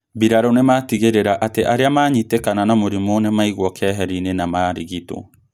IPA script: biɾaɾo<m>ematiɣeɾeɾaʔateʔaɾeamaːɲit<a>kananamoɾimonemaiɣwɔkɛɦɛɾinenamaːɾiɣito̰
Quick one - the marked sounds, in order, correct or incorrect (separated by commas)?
incorrect, incorrect